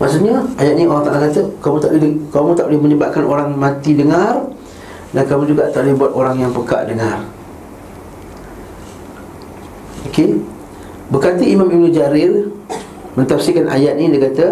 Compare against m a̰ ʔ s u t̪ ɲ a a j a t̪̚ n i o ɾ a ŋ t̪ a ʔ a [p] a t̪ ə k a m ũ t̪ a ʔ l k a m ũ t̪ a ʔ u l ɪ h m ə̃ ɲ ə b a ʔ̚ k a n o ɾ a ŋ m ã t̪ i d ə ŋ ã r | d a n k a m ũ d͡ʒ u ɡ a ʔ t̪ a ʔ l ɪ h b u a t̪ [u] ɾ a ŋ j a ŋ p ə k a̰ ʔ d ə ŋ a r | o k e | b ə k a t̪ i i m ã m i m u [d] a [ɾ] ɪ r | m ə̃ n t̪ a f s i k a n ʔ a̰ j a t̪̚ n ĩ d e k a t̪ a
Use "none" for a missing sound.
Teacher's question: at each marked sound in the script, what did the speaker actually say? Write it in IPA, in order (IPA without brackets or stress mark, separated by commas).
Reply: k, o, d͡ʒ, ɾ